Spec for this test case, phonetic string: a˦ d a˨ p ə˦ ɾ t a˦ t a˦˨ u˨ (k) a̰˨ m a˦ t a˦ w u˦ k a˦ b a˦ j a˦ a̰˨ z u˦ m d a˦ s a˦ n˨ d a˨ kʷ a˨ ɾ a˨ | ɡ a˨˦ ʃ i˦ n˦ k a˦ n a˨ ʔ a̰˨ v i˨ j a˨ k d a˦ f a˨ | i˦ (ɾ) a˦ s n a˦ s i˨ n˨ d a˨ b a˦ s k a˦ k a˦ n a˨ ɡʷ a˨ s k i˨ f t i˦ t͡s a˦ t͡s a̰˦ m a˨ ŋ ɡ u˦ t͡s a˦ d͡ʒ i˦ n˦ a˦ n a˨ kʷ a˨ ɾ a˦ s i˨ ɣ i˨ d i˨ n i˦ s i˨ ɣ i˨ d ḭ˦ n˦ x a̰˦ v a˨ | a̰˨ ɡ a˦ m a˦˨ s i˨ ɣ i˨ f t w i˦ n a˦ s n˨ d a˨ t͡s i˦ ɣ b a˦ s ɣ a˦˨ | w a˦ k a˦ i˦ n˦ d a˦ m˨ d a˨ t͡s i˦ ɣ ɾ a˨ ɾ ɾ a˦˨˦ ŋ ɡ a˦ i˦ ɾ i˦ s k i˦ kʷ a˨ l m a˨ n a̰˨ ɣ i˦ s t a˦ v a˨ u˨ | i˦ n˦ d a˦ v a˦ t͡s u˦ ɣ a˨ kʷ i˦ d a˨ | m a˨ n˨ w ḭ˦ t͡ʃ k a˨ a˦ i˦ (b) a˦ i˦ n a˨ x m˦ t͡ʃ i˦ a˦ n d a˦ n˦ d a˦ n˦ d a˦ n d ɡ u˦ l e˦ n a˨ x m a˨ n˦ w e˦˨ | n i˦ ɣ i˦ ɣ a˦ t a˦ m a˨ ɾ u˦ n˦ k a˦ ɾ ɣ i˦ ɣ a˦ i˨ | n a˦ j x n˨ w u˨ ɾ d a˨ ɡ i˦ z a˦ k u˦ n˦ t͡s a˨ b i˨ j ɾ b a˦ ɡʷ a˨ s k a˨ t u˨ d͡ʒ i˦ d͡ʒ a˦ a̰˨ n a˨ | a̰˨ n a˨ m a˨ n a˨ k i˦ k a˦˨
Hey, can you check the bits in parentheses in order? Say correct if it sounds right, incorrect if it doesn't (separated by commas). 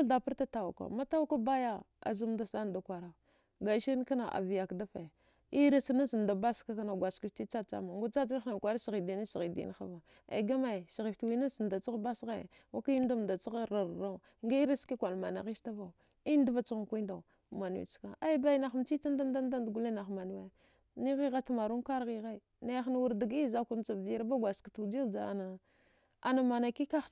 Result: correct, correct, correct